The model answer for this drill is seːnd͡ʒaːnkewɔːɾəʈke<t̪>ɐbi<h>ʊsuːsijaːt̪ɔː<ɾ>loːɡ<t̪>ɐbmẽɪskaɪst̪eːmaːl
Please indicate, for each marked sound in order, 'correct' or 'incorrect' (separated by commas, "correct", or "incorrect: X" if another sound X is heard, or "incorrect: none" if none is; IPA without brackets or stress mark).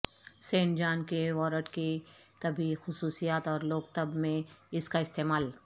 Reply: correct, incorrect: x, correct, correct